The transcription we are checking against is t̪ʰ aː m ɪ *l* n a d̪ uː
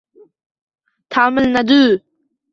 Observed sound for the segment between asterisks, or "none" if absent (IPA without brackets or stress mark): l